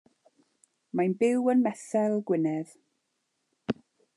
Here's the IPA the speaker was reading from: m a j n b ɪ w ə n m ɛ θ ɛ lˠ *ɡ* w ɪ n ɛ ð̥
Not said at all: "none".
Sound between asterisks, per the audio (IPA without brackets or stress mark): ɡ